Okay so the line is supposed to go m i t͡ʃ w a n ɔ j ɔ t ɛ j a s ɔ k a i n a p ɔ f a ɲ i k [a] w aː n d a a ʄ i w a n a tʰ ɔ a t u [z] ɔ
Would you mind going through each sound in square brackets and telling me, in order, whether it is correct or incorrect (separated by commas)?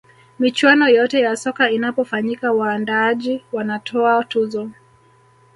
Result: correct, correct